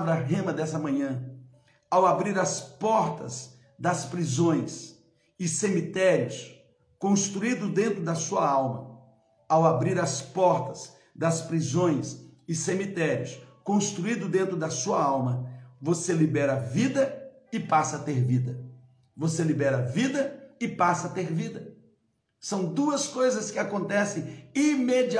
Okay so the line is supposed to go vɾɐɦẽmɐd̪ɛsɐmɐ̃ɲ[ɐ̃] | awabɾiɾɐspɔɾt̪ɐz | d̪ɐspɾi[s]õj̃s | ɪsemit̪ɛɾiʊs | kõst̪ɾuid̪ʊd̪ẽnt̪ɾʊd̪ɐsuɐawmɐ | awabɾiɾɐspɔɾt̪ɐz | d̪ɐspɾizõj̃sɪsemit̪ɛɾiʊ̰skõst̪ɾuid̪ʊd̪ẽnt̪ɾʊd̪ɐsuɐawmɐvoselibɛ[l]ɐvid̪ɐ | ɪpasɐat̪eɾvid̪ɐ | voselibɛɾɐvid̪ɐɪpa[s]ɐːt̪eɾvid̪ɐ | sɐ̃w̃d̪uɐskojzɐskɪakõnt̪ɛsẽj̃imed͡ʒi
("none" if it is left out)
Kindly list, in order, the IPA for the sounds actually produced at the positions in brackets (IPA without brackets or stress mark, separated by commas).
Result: ɐ̃, z, ɾ, s